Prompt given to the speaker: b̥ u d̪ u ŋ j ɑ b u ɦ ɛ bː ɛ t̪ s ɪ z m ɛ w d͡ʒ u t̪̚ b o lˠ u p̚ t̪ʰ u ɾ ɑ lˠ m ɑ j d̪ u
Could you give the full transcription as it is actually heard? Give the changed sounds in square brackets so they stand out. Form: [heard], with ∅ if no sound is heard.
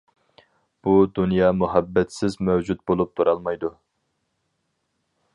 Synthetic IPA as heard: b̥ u d̪ u [n] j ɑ [m] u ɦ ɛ bː ɛ t̪ s ɪ z m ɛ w d͡ʒ u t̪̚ b o lˠ u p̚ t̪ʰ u ɾ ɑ lˠ m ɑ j d̪ u